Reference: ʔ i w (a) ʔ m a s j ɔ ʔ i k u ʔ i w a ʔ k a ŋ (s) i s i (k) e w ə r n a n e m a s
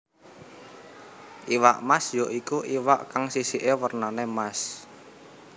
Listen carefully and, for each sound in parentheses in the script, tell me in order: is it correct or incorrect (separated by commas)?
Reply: correct, correct, incorrect